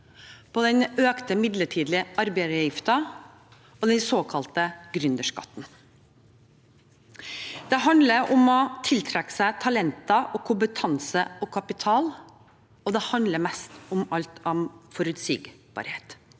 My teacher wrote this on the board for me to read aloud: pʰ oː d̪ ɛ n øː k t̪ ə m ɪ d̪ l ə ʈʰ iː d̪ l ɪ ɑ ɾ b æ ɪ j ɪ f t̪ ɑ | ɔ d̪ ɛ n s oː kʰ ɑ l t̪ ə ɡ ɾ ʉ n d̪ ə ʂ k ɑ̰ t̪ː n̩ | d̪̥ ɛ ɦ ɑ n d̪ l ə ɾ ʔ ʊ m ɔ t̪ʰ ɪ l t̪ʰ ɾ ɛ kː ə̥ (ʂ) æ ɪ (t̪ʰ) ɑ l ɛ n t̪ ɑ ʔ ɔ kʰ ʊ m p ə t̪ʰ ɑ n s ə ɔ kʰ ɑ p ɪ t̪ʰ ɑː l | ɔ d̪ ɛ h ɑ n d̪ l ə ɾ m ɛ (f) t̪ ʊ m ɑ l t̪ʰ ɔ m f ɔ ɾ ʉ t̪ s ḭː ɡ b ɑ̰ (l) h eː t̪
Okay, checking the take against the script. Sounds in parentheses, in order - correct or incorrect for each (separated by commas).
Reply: incorrect, correct, incorrect, incorrect